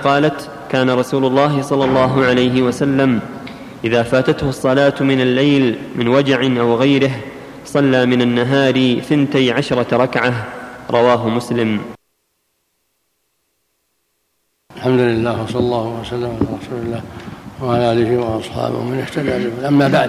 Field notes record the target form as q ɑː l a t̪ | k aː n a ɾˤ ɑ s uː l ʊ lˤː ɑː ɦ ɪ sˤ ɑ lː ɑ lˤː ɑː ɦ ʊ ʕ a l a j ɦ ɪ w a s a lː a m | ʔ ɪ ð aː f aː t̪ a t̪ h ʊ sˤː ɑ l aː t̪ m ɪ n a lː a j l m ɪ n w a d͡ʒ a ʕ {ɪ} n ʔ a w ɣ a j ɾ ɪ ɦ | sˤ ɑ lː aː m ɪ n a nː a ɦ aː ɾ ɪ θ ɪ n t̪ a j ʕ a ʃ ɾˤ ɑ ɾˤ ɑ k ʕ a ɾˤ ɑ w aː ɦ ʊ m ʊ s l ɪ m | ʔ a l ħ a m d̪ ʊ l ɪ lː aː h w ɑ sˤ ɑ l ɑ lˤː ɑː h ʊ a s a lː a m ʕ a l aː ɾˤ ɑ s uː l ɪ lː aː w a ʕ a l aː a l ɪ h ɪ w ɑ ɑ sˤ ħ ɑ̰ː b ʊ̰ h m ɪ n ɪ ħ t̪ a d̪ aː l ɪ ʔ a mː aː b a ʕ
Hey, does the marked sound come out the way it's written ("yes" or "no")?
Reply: yes